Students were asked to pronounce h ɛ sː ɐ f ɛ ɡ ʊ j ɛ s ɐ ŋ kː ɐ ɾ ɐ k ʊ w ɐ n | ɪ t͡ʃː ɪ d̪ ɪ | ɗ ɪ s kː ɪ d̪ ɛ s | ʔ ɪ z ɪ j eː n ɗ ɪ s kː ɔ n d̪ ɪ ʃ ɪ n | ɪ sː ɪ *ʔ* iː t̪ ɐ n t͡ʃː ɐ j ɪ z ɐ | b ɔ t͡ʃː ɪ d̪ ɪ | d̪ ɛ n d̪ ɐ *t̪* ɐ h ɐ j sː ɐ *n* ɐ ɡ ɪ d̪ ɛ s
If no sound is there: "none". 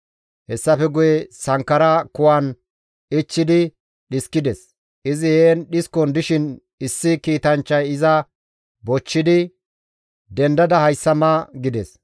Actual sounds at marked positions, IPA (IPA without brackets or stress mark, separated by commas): k, d̪, m